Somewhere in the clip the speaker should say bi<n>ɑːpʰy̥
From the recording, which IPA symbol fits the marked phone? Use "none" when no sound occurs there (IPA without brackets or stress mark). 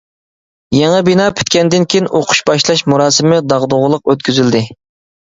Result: n